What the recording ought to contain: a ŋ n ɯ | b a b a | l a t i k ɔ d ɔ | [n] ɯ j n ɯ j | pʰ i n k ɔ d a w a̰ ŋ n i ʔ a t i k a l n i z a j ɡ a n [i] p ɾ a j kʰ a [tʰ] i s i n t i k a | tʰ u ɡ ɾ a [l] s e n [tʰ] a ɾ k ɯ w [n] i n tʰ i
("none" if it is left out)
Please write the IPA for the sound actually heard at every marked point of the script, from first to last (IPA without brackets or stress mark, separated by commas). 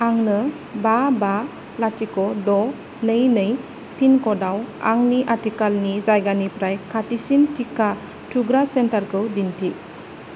n, i, t, none, t, d